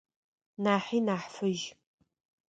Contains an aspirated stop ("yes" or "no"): no